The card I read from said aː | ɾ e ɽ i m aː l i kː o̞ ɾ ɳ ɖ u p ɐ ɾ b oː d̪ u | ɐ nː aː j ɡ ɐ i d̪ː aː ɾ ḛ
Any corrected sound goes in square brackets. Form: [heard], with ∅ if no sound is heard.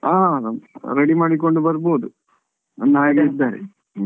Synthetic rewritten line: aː | ɾ e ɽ i m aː [ɽ] i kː o̞ [∅] ɳ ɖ u [b] ɐ ɾ b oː d̪ u | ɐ nː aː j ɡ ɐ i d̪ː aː ɾ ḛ